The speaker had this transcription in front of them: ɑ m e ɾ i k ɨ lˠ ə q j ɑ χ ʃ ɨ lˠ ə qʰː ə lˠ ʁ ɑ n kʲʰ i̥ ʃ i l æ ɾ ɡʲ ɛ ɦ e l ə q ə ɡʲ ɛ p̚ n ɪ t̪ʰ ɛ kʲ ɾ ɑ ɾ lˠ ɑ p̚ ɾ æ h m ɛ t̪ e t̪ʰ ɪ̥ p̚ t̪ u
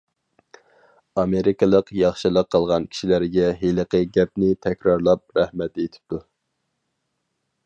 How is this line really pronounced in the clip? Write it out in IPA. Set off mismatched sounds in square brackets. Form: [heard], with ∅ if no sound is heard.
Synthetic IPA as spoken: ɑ m e ɾ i k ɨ lˠ ə q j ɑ χ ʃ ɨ lˠ ə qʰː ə lˠ ʁ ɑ n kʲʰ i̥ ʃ i l æ ɾ ɡʲ ɛ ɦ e l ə q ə ɡʲ ɛ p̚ n ɪ t̪ʰ ɛ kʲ ɾ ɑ ɾ lˠ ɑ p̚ ɾ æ h m ɛ t̪ e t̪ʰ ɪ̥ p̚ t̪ u